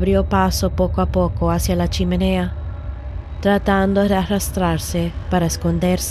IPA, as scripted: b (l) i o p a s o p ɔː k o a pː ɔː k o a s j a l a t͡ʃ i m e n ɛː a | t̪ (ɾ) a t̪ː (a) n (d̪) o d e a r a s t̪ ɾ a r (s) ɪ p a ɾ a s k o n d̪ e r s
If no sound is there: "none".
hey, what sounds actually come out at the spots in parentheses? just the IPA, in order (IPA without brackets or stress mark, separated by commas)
ɾ, ɾ, a, d̪, s